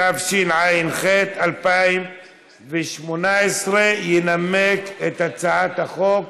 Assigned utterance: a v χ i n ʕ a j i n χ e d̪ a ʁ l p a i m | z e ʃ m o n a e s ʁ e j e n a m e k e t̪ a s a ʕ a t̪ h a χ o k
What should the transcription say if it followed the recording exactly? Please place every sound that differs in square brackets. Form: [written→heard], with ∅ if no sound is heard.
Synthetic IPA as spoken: a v [χ→ʃ] i n ʕ a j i n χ e [d̪→t̪] a [ʁ→∅] l p a i m | [z→v] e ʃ m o n a e s ʁ e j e n a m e k e t̪ a [s→t͡s] a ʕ a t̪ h a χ o k

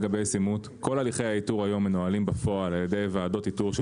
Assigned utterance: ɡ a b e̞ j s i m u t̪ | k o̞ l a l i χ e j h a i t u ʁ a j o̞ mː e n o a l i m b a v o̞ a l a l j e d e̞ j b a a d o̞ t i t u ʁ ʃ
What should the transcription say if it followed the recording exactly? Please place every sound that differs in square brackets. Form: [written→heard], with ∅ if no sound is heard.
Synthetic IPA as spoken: ɡ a b e̞ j s i m u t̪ | k o̞ l a l i χ e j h a i t u ʁ a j o̞ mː e n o a l i m b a [v→f] o̞ a l a l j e d e̞ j [b→v] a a d o̞ t i t u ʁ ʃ

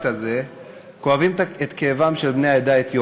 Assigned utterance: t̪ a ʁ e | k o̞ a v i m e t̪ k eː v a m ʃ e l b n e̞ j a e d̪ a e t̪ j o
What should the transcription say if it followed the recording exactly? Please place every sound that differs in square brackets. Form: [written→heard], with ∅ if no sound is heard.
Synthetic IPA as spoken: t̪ a [ʁ→z] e | k o̞ a v i m e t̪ k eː v a m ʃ e l b n e̞ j a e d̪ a e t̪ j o

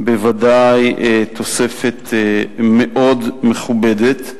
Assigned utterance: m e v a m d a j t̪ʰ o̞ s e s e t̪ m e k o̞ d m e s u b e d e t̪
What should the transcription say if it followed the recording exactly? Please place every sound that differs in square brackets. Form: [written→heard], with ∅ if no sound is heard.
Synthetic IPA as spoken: [m→b] e v a [m→∅] d a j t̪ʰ o̞ s e [s→f] e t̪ m e [k→ʔ] o̞ d m e [s→χ] u b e d e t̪

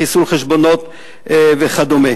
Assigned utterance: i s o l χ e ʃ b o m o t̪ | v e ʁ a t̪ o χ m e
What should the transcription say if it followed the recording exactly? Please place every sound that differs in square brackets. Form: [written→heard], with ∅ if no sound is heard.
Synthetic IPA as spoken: i s [o→u] l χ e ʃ b o [m→n] o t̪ | v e [ʁ→χ] a [t̪→d̪] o [χ→∅] m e

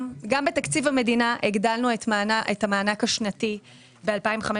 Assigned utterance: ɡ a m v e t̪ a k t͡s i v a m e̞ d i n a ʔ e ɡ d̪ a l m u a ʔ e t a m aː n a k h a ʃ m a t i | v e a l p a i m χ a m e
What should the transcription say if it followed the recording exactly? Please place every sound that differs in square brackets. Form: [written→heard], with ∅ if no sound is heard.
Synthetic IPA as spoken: ɡ a m [v→b] e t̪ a k t͡s i v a m e̞ d i n a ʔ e ɡ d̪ a l [m→n] u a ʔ e t a m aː n a k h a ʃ [m→n] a t i | [v→b] e a l p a i m χ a m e

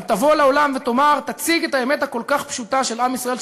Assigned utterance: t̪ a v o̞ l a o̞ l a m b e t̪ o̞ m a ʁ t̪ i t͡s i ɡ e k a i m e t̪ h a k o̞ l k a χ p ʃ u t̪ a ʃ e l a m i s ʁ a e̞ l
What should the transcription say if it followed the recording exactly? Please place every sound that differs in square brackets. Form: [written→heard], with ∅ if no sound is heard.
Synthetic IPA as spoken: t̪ a v o̞ l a o̞ l a m [b→v] e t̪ o̞ m a ʁ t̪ [i→a] t͡s i ɡ e [k→t] a [i→e] m e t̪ h a k o̞ l k a χ p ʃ u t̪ a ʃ e l a m i s ʁ a e̞ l

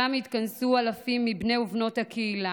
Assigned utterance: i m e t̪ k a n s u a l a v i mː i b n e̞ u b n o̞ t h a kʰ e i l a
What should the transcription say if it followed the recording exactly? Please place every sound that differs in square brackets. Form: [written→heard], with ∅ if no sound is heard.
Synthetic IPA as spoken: [i→a] m [e→i] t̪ k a n s u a l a [v→f] i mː i b n e̞ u [b→v] n o̞ t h a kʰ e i l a

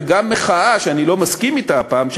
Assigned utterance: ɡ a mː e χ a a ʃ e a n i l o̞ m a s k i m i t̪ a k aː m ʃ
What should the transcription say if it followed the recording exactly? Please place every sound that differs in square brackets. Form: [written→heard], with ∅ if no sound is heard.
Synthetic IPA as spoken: ɡ a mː e χ a a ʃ e a n i l o̞ m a s k i m i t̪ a [k→p] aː m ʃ

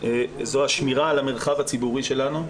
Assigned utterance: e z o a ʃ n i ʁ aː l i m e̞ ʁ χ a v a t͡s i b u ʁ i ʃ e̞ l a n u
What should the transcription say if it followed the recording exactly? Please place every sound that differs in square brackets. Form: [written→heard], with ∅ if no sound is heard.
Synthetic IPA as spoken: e z o a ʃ [n→m] i ʁ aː l [i→a] m e̞ ʁ χ a v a t͡s i b u ʁ i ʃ e̞ l a n u

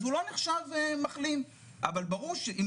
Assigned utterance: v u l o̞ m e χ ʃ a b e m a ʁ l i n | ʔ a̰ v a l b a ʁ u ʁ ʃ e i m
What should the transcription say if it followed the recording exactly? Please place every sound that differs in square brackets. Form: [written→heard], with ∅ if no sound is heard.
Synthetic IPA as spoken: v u l o̞ [m→n] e χ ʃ a [b→v] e m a [ʁ→χ] l i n | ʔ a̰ v a l b a ʁ u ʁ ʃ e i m

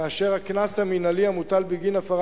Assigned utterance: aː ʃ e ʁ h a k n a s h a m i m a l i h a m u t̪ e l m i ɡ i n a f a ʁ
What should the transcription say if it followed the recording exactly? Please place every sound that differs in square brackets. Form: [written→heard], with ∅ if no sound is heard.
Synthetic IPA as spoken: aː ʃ e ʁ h a k n a s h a m i [m→n] a l i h a m u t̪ [e→a] l [m→b] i ɡ i n a f a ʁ

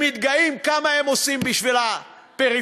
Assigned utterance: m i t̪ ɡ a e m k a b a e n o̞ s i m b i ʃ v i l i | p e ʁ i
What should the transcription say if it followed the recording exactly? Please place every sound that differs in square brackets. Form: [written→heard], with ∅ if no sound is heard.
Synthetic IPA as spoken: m i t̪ ɡ a [e→i] m k a [b→m] a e [n→m] o̞ s i m b i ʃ v i l [i→a] | p e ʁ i

